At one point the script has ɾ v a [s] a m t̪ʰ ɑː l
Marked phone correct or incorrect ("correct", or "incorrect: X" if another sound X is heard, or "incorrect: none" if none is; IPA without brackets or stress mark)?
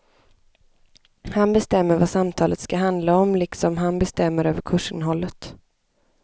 correct